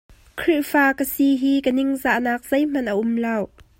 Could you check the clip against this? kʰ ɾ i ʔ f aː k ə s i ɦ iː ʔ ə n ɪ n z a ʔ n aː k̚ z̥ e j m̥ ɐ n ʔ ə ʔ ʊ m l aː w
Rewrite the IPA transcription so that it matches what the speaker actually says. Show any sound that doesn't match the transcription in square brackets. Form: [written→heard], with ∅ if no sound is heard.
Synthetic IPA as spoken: kʰ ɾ i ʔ f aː k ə s i ɦ iː [ʔ→k] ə n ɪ [n→ŋ] z a ʔ n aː k̚ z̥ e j m̥ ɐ n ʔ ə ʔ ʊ m l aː w